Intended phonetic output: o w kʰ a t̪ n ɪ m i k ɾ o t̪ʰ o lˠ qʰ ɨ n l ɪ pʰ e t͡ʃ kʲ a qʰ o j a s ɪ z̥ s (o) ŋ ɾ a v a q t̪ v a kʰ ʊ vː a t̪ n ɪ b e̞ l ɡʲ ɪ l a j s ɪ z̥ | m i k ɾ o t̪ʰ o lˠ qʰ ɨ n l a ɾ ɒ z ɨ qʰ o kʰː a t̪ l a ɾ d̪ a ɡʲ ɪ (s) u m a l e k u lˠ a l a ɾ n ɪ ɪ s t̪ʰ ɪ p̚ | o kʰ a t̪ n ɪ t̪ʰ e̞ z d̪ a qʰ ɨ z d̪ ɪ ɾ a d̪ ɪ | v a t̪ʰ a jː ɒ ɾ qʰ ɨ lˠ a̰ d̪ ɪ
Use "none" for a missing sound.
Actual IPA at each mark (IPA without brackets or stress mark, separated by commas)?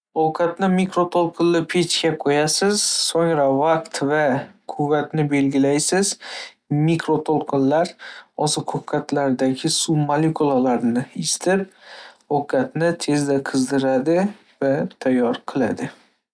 o, s